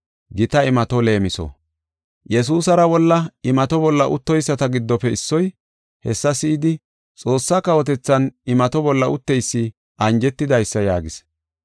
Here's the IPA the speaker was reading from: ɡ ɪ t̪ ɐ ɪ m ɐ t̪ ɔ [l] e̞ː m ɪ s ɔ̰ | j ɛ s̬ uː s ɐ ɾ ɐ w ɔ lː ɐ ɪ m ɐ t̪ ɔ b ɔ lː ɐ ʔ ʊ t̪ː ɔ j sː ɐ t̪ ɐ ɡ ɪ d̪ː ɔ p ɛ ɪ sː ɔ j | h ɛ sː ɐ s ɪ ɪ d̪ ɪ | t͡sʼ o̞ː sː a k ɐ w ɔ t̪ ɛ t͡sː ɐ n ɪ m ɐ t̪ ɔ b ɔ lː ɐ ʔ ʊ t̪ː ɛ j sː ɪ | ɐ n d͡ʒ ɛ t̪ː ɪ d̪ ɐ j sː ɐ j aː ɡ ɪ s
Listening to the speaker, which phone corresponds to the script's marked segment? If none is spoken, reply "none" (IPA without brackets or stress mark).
l